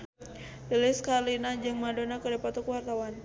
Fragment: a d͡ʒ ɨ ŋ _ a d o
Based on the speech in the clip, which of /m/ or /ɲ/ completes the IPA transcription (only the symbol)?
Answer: m